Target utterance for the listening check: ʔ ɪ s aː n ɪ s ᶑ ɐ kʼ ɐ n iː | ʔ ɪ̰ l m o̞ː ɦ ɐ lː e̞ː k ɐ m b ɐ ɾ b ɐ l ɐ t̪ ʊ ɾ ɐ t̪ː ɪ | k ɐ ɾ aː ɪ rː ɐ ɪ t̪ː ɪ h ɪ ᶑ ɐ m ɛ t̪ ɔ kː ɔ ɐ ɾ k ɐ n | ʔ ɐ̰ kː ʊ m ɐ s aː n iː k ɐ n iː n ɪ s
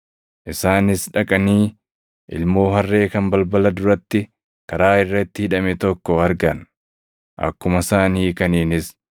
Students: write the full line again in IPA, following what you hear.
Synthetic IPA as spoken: ʔ ɪ s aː n ɪ s ᶑ ɐ kʼ ɐ n iː | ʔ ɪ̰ l m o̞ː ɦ ɐ rː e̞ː k ɐ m b ɐ l b ɐ l ɐ d̪ ʊ ɾ ɐ t̪ː ɪ | k ɐ ɾ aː ɪ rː ɐ ɪ t̪ː ɪ h ɪ ᶑ ɐ m ɛ t̪ ɔ kː ɔ ɐ ɾ ɡ ɐ n | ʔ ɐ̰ kː ʊ m ɐ s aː n iː k ɐ n iː n ɪ s